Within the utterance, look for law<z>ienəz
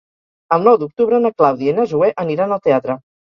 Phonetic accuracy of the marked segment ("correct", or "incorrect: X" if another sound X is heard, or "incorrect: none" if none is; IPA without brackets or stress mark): incorrect: ð